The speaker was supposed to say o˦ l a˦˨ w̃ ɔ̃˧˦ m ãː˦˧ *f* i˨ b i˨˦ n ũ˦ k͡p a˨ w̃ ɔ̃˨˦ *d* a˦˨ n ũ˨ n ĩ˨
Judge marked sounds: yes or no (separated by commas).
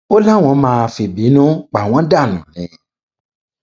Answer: yes, yes